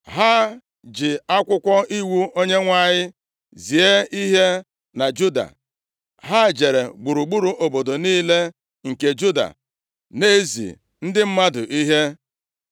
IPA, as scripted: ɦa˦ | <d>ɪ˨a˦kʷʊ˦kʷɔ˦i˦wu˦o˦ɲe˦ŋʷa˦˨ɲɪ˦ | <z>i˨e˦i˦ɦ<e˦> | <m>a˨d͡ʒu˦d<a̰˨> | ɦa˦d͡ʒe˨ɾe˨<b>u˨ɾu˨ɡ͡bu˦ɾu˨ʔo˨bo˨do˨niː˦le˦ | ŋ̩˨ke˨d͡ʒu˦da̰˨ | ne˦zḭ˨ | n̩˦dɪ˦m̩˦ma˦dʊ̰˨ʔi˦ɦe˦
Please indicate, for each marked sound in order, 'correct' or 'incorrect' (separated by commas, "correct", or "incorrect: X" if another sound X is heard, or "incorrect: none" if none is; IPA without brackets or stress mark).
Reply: incorrect: d͡ʒ, correct, correct, incorrect: n, correct, incorrect: ɡ͡b